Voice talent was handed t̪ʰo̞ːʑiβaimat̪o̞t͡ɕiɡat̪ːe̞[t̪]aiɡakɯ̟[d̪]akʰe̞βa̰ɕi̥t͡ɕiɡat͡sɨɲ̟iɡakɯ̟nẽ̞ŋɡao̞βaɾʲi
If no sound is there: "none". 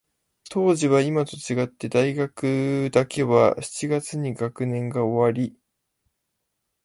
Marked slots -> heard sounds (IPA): d̪, d̪

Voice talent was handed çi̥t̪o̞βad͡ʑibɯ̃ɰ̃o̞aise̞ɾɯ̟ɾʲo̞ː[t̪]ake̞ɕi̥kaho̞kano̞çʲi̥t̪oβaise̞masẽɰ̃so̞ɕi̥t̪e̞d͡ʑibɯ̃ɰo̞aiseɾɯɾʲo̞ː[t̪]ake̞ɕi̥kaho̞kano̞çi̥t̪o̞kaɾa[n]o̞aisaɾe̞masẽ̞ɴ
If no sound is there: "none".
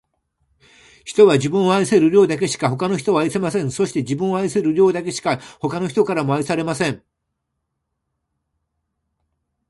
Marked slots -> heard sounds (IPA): d̪, d̪, m

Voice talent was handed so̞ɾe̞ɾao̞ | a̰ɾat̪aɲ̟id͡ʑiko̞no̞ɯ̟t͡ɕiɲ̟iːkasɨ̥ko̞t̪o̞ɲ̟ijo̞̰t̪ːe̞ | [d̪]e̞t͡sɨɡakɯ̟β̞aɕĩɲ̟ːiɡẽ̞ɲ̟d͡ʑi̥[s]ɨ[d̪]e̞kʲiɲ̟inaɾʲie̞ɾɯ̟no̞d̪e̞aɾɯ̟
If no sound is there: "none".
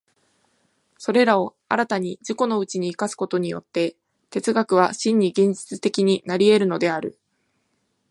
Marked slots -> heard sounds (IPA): t̪, t͡s, t̪

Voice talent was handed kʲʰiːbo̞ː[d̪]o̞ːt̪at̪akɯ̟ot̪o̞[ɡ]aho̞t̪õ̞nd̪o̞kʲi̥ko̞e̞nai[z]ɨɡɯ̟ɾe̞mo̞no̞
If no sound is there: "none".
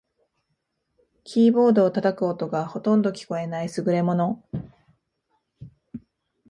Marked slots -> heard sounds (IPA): d̪, ɡ, s

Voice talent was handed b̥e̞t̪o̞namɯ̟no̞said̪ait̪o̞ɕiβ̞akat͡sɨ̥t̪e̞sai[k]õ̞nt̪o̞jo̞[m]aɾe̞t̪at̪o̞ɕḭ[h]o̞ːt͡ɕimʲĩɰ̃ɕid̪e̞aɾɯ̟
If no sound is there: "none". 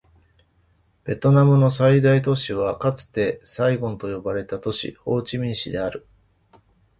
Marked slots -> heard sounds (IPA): ɡ, b, h

